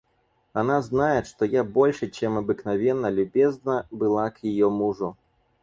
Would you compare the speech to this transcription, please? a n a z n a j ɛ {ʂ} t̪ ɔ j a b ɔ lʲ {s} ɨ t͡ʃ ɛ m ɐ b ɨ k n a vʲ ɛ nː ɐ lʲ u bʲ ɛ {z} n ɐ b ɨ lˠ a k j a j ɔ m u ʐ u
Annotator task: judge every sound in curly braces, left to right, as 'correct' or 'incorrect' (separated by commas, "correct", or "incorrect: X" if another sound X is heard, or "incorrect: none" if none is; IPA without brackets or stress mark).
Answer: correct, incorrect: ʂ, correct